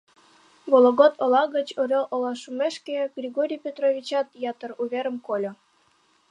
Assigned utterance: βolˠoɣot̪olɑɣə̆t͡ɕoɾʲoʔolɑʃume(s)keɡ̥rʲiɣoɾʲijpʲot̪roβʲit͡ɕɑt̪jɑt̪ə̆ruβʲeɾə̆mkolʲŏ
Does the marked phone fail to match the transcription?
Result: yes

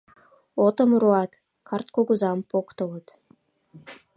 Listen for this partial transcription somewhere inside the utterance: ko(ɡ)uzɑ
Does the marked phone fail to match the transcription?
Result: no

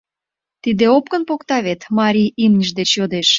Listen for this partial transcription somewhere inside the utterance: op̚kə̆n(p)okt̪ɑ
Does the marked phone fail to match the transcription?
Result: no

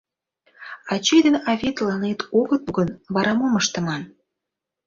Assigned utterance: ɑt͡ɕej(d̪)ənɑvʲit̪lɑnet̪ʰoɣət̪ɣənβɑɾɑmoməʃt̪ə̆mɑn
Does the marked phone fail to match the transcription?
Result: no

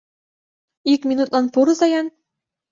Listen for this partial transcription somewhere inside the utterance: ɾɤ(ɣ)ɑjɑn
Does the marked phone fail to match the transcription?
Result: yes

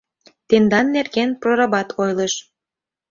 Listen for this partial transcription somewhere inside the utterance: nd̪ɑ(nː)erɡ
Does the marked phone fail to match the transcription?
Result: no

